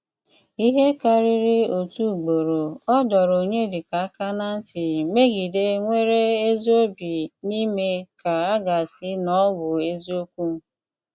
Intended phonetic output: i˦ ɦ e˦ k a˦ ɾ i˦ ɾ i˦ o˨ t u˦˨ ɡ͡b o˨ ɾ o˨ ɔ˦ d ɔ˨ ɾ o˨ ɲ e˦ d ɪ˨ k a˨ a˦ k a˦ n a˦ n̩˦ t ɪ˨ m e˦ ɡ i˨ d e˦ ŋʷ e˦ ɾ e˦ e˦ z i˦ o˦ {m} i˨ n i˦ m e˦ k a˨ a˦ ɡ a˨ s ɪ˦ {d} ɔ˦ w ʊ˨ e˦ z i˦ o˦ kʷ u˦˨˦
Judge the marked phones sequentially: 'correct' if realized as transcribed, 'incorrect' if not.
incorrect, incorrect

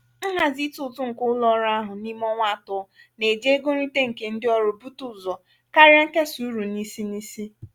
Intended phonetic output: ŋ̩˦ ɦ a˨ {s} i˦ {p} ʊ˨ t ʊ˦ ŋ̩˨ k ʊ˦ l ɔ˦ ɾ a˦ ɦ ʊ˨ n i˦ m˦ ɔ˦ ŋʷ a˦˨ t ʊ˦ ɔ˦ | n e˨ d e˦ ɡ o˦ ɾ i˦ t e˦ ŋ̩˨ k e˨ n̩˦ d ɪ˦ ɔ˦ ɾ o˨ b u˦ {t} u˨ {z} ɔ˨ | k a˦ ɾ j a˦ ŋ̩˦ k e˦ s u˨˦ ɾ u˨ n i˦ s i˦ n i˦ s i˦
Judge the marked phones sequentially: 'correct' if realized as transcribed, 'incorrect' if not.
incorrect, incorrect, correct, correct

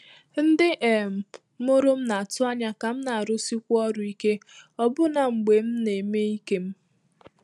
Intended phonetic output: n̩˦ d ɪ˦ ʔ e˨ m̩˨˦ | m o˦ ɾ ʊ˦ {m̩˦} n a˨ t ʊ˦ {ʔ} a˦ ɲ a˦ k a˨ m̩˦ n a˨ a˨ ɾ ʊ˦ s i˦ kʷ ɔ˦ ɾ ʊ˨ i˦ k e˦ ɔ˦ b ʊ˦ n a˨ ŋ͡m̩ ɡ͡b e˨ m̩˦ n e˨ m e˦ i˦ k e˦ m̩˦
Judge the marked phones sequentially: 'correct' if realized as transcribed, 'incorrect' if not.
correct, incorrect

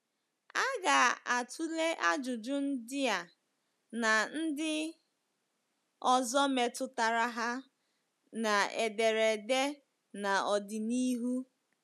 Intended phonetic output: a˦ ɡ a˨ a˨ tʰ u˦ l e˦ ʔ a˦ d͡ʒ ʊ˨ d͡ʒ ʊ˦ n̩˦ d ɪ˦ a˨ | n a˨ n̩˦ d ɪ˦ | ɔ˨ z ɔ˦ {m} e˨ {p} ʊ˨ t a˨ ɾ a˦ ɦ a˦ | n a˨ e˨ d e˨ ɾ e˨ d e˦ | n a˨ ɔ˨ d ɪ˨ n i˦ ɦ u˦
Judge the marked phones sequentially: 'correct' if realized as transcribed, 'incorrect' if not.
correct, incorrect

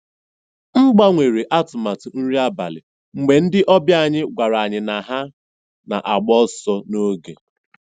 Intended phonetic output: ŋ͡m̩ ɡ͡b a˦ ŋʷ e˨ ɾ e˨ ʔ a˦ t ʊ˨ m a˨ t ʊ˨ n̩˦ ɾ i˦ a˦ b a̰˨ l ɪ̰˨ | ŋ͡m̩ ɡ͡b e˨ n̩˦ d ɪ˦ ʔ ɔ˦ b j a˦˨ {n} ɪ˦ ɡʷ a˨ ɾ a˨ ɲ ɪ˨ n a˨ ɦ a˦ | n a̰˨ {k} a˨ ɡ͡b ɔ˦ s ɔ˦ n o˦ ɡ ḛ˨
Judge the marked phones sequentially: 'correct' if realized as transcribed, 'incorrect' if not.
incorrect, incorrect

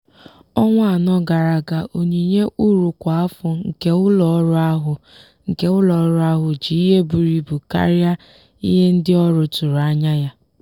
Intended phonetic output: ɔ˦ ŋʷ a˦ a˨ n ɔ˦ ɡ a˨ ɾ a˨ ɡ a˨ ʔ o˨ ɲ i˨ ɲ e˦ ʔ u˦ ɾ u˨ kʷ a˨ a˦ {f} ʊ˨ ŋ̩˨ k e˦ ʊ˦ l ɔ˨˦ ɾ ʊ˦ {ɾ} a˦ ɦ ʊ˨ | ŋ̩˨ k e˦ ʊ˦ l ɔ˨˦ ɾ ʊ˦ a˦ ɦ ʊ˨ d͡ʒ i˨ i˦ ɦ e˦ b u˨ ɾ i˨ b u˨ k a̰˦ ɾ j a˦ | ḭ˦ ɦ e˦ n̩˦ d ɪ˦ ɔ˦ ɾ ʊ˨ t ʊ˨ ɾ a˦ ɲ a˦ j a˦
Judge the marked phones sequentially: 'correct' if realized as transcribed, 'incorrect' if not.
correct, incorrect

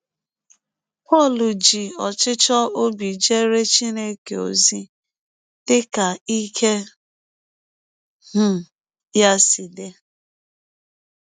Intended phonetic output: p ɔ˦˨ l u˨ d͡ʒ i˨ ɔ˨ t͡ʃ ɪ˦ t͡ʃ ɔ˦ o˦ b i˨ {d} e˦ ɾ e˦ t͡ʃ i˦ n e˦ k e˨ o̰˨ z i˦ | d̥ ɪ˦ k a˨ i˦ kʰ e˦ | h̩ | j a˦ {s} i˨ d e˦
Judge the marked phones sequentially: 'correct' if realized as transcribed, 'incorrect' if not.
incorrect, correct

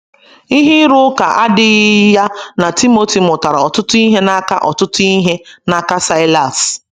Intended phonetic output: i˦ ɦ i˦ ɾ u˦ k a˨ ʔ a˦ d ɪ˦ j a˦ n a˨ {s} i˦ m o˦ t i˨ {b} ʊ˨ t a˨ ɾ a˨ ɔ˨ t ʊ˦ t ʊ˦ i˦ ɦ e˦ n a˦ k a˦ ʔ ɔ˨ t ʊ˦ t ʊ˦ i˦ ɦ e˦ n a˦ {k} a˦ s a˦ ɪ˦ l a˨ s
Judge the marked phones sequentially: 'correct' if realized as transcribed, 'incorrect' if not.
incorrect, incorrect, correct

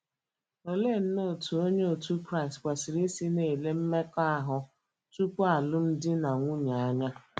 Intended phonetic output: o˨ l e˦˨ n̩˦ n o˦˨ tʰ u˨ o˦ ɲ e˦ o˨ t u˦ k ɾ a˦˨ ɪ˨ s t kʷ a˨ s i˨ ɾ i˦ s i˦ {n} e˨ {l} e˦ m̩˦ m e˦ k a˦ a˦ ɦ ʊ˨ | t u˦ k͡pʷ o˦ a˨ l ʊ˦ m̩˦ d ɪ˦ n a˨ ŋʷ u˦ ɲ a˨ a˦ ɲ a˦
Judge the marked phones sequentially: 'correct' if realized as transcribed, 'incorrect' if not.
correct, correct

